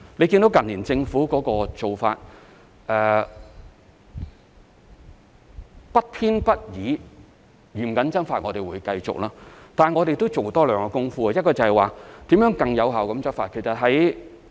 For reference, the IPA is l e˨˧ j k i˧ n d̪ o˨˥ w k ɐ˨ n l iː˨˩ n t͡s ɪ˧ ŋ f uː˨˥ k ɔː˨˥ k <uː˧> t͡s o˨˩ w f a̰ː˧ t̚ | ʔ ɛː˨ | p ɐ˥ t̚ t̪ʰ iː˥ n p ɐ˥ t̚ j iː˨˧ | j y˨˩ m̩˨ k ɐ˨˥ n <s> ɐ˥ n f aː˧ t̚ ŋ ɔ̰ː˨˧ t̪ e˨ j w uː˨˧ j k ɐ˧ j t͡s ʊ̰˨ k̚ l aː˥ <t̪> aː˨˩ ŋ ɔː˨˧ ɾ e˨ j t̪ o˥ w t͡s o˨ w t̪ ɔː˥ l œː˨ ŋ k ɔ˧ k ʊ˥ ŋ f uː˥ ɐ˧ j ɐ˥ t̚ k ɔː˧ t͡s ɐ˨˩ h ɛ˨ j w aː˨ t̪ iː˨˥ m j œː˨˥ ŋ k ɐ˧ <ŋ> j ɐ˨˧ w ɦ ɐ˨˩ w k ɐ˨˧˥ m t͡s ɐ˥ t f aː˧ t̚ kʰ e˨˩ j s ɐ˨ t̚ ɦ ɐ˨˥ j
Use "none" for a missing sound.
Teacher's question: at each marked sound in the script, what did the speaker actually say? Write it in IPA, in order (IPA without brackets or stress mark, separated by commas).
ɔː˧, t͡s, t̪, ŋ